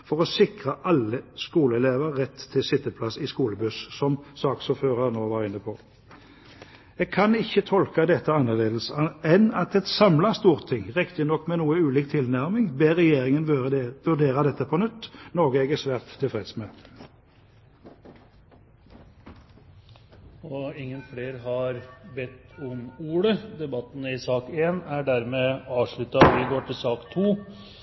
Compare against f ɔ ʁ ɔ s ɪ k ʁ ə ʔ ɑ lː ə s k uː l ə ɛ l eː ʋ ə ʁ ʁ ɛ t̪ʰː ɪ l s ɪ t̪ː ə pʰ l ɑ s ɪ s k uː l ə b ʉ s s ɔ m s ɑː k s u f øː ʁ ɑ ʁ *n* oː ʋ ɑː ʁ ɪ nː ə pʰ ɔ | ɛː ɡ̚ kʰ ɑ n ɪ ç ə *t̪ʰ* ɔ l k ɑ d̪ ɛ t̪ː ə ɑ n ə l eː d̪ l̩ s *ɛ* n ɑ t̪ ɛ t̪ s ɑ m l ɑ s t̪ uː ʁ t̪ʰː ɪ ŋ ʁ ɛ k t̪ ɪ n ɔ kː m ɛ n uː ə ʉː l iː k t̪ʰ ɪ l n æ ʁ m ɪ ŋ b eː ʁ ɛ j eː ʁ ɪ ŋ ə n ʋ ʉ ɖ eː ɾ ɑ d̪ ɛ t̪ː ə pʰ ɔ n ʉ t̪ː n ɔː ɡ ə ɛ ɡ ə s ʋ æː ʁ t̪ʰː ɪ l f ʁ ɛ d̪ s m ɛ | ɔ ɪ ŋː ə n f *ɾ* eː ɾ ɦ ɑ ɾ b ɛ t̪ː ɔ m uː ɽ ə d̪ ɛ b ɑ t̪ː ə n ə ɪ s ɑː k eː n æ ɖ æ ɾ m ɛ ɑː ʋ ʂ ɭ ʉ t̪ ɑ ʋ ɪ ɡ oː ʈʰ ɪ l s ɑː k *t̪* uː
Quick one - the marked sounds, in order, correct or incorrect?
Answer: correct, correct, correct, incorrect, incorrect

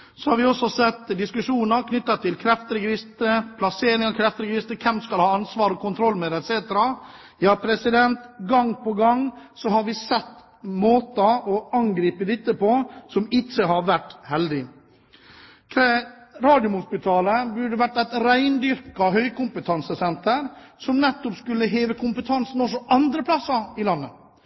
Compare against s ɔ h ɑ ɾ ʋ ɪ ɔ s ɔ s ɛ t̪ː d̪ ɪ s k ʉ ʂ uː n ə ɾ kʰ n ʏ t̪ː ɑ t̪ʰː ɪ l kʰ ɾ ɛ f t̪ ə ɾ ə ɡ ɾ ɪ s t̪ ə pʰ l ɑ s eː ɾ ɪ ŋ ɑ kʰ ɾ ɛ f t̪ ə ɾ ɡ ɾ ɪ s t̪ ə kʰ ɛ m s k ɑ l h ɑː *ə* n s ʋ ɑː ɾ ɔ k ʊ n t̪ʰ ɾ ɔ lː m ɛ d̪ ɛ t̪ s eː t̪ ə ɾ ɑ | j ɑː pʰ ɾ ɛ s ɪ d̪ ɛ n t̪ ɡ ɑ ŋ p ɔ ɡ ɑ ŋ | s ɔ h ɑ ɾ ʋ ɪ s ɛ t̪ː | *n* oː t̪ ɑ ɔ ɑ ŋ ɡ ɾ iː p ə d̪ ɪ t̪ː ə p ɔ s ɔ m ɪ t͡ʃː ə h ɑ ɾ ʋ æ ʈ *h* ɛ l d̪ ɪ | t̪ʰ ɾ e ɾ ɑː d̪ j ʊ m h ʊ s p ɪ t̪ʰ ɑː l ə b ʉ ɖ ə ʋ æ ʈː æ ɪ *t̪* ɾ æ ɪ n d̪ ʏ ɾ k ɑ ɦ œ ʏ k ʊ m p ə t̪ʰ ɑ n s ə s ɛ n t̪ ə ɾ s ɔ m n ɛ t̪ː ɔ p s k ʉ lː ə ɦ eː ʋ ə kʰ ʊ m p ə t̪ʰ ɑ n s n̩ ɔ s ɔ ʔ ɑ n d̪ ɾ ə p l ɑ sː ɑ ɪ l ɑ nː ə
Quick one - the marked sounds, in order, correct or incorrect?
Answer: incorrect, incorrect, correct, correct

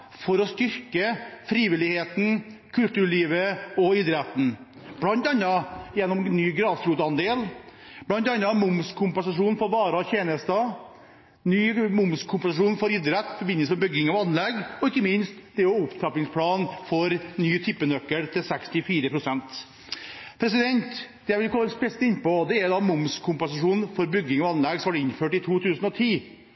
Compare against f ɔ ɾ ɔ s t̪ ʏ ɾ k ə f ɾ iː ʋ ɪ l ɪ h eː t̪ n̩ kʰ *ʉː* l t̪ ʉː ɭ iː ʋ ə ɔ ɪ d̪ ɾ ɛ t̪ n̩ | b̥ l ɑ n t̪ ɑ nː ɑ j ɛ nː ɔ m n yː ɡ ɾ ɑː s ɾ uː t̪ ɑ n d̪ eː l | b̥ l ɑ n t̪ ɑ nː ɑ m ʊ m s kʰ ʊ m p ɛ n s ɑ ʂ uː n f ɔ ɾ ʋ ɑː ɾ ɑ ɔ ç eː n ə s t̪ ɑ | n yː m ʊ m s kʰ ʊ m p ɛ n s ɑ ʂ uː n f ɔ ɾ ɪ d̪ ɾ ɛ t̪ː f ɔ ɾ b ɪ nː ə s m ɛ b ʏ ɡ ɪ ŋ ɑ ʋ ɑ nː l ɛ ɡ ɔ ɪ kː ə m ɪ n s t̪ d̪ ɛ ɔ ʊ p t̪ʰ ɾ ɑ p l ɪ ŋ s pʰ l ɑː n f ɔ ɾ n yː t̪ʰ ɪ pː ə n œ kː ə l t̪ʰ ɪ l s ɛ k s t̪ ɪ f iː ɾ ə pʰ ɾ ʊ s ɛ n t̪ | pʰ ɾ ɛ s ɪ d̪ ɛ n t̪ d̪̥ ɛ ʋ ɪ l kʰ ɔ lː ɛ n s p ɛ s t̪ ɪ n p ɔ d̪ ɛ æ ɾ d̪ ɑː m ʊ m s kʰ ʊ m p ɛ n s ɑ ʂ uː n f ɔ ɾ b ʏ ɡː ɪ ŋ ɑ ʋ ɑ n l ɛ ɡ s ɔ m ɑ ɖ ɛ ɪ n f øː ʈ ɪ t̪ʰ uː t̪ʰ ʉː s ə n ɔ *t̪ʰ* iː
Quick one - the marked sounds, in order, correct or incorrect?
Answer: incorrect, correct

